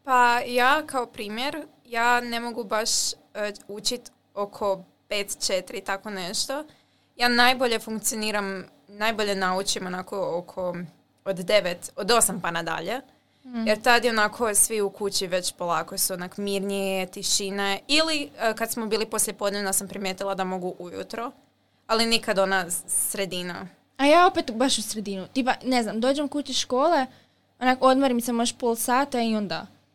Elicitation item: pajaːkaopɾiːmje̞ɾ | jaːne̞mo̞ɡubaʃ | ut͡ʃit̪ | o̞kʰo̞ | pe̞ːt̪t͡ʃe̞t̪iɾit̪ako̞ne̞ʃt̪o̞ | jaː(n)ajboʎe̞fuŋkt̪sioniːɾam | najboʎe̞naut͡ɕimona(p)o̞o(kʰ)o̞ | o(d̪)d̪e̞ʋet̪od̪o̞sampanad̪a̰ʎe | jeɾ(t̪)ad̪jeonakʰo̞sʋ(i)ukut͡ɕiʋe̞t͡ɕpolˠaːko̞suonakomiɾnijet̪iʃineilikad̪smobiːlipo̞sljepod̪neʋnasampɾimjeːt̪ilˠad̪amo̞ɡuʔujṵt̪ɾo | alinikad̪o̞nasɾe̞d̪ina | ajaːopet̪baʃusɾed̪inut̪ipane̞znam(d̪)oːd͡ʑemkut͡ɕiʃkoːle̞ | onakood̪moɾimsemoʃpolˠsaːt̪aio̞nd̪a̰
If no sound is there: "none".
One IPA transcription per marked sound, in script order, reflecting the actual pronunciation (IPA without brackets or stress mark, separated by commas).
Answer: n, k, kʰ, d̪, t̪, i, d̪